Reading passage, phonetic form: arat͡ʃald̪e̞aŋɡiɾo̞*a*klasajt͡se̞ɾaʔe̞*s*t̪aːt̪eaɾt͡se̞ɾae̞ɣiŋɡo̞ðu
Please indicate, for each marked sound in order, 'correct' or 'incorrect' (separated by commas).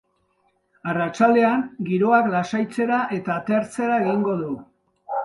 correct, incorrect